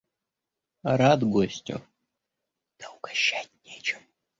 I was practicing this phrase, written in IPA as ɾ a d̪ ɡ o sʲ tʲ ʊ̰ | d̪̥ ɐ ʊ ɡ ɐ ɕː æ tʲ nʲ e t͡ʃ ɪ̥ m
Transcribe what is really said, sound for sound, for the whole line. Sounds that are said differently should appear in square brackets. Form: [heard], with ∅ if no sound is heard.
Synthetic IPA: ɾ a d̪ ɡ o sʲ tʲ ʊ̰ | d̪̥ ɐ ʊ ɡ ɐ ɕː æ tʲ nʲ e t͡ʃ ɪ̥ m